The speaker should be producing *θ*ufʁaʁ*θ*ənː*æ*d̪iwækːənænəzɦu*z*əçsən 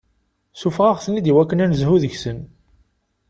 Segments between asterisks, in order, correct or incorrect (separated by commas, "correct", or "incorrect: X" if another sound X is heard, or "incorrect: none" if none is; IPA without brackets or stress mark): incorrect: s, correct, incorrect: i, incorrect: ð